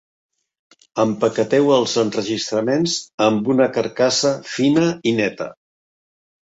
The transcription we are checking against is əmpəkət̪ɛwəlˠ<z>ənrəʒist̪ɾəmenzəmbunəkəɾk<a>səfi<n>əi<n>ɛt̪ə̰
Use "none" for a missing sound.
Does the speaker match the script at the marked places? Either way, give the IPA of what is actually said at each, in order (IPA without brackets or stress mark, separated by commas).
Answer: z, a, n, n